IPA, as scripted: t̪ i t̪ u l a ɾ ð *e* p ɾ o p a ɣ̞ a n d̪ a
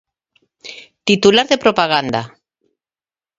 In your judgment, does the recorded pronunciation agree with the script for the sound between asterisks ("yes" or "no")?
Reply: yes